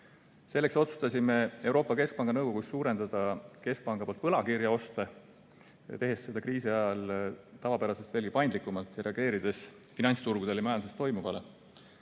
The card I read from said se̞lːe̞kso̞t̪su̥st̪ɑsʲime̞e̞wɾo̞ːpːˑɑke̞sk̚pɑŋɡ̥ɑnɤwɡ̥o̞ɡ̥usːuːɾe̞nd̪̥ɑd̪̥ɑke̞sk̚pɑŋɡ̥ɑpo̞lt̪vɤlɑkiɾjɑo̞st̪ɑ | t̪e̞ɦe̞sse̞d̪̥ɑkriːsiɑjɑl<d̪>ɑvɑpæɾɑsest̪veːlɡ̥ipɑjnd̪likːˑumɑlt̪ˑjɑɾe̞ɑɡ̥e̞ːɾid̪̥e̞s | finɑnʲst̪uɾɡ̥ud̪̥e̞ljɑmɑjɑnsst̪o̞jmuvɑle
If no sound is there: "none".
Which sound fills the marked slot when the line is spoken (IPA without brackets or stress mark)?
t̪